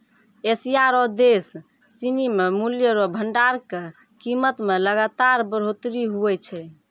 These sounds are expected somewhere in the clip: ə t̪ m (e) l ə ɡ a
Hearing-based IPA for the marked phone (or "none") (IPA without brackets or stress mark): e